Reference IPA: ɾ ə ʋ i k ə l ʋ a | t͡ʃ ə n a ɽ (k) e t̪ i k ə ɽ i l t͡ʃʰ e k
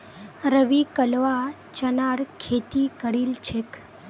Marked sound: incorrect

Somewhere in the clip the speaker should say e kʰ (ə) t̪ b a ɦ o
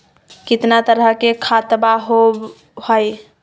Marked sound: incorrect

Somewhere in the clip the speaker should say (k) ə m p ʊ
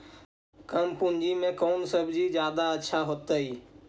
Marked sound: correct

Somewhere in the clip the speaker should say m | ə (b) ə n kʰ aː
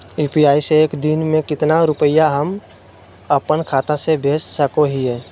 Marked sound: incorrect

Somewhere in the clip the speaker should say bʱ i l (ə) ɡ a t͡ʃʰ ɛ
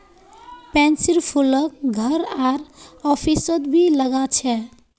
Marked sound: correct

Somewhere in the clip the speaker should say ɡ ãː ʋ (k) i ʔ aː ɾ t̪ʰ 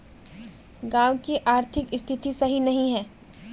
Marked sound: correct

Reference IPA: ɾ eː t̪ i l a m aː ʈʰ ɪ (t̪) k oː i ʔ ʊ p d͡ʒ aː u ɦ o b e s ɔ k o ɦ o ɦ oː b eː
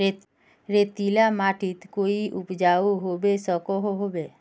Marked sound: correct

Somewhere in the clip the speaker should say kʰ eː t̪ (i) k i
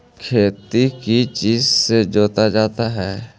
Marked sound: correct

